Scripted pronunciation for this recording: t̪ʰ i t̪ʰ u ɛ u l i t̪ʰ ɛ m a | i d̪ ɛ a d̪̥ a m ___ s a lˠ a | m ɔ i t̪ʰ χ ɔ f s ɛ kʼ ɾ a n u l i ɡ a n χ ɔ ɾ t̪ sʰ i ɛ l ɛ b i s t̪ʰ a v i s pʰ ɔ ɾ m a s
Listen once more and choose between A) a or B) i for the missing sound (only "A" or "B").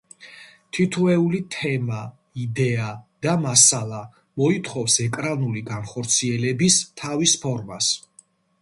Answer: A